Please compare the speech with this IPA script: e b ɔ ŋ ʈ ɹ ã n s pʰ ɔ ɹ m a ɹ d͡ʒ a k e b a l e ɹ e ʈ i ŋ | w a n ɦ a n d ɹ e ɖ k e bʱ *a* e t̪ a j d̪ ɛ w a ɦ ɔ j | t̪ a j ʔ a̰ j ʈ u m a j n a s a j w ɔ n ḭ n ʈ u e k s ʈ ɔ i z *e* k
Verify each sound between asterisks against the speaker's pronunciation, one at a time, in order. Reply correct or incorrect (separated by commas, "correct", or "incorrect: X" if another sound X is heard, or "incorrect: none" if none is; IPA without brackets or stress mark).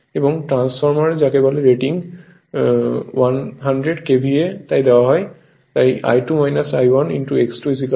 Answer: incorrect: i, incorrect: i